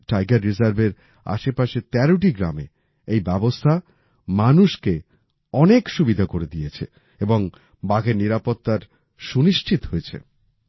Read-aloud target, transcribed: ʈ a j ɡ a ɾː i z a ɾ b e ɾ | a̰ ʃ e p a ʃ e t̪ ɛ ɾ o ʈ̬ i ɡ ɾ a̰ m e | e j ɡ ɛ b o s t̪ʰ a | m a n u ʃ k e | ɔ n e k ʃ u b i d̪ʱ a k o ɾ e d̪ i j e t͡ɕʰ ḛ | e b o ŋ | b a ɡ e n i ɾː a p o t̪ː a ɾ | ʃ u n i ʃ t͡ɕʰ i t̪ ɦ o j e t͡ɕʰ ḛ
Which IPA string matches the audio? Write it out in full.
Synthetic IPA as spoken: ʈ a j ɡ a ɾː i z a ɾ b e ɾ | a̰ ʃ e p a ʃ e t̪ ɛ ɾ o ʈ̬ i ɡ ɾ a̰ m e | e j b ɛ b o s t̪ʰ a | m a n u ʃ k e | ɔ n e k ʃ u b i d̪ʱ a k o ɾ e d̪ i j e t͡ɕʰ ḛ | e b o ŋ | b a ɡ e n i ɾ a p o t̪ː a ɾ | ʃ u n i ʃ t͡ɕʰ i t̪ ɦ o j e t͡ɕʰ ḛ